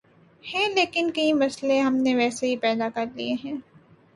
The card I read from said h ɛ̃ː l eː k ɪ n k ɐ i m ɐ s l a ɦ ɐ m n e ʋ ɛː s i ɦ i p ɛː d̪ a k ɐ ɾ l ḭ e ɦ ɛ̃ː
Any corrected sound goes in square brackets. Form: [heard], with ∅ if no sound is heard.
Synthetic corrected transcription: h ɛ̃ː l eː k ɪ n k ɐ i m ɐ s l [e] ɦ ɐ m n e ʋ ɛː s [e] ɦ i p ɛː d̪ a k ɐ ɾ l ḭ e ɦ ɛ̃ː